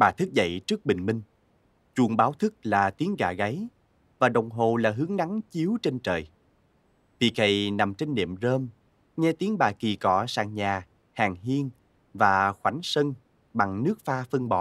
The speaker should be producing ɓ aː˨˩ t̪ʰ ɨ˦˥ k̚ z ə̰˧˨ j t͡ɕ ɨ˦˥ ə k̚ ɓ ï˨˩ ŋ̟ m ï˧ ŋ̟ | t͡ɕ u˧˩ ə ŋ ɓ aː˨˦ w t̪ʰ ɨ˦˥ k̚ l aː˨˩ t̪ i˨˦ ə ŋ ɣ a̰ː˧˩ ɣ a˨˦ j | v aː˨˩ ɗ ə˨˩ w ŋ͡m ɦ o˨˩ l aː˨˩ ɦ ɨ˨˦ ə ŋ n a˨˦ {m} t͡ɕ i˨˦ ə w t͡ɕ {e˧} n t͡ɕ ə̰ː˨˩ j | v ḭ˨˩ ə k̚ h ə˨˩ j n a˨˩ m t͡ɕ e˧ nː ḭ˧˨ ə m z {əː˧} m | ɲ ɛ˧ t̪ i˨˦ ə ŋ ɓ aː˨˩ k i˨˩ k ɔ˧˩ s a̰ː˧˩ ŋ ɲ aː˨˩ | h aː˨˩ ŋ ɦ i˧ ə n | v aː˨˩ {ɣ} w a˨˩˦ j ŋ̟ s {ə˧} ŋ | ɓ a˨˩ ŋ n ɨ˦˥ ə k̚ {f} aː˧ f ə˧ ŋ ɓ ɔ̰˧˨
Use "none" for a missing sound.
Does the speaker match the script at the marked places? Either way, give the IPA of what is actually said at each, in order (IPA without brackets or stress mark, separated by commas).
ŋ, e˧, əː˧, x, ə˧, f